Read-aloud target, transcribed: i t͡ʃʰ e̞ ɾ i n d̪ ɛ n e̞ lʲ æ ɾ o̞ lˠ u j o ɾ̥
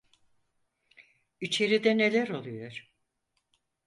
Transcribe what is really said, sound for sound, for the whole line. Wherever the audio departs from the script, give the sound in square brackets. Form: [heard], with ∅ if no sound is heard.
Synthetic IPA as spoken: i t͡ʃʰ e̞ ɾ i [∅] d̪ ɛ n e̞ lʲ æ ɾ o̞ lˠ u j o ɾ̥